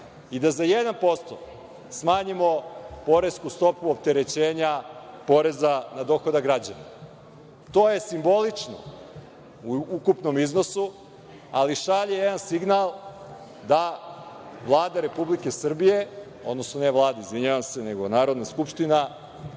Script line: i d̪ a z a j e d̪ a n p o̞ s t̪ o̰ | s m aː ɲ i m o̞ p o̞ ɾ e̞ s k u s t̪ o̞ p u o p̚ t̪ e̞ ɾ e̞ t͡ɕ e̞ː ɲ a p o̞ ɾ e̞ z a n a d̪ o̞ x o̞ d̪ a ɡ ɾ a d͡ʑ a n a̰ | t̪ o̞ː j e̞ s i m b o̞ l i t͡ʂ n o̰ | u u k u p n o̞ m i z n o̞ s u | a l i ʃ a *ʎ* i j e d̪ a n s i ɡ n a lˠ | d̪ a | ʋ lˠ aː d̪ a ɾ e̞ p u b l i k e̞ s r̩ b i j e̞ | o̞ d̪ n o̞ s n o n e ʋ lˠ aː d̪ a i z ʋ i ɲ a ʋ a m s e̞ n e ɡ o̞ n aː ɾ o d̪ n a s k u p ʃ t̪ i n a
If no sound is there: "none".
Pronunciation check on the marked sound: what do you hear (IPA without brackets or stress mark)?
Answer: ʎ